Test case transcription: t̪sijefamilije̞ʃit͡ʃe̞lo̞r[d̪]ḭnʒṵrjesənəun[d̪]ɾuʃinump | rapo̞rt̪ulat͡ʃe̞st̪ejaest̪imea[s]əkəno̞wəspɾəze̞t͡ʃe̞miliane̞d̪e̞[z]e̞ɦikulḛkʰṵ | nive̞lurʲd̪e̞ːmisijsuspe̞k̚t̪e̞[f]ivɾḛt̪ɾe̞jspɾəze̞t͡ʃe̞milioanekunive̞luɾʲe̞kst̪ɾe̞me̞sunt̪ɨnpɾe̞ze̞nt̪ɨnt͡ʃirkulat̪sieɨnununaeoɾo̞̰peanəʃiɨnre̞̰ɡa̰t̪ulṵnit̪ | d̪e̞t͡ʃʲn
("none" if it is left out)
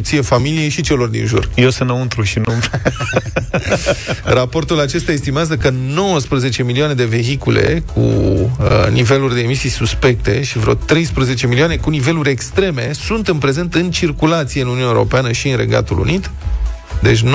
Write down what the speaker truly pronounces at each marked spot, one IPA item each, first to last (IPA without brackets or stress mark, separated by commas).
d̪, t̪, z, v, ʃ